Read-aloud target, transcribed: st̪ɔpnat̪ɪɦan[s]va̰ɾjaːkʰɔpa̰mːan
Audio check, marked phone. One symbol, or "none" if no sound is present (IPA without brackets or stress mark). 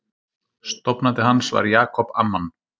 s